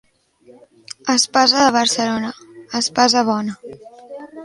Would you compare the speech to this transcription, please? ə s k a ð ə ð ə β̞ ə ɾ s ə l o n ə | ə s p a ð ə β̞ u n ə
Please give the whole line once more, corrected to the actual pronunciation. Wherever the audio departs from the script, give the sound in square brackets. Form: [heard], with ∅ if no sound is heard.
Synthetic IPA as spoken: ə s [p] a [z] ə ð ə β̞ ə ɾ s ə l o n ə | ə s p a [z] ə β̞ [ɔ] n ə